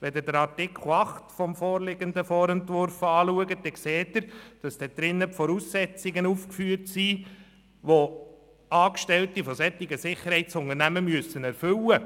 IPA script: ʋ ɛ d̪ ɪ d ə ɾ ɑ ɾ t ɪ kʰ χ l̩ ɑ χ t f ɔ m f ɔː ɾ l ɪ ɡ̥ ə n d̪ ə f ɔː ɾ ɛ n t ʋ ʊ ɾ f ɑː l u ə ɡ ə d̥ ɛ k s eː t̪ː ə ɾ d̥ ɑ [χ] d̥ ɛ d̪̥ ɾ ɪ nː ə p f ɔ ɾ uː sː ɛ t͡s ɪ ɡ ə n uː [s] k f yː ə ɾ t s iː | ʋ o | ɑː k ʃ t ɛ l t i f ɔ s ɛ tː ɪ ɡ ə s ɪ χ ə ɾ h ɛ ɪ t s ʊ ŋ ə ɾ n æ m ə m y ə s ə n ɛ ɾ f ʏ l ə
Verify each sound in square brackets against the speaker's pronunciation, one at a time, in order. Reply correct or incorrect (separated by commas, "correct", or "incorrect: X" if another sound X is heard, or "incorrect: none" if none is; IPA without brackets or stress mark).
incorrect: s, incorrect: f